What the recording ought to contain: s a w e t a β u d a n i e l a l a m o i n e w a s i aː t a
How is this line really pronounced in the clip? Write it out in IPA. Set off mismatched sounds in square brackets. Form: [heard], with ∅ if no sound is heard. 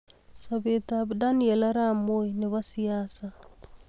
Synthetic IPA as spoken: s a [β] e t a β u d a n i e l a [ɾ] a m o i n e [β] a s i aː [s] a